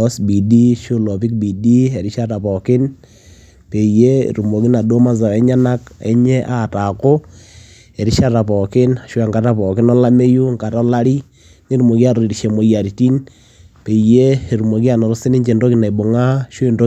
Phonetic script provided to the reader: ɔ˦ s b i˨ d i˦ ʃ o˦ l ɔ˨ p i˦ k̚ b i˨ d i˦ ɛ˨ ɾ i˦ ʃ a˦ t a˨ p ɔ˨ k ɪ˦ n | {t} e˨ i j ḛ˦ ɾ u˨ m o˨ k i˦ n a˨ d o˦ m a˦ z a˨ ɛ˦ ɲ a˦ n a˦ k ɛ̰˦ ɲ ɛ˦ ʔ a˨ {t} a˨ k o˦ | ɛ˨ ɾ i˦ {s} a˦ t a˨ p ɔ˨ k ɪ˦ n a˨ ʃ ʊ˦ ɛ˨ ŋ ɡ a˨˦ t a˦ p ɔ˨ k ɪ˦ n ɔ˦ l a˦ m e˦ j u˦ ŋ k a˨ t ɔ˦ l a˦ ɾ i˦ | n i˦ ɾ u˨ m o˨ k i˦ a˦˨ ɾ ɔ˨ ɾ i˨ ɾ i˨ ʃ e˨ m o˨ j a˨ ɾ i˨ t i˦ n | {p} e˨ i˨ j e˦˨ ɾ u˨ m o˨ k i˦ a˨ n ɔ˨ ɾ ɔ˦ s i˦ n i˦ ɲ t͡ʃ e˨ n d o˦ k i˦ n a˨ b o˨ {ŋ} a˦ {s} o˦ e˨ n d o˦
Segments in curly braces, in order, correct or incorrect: incorrect: p, correct, incorrect: ʃ, correct, correct, incorrect: ʃ

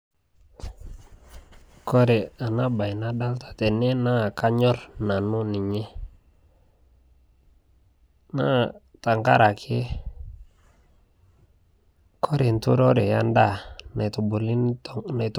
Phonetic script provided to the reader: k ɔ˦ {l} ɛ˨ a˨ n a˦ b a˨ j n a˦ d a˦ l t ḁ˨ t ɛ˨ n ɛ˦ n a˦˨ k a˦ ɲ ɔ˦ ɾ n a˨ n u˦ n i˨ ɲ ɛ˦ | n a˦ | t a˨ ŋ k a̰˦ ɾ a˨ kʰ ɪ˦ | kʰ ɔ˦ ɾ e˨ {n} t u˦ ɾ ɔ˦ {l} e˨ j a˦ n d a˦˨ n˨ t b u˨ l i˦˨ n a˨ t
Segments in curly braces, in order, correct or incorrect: incorrect: ɾ, correct, incorrect: ɾ

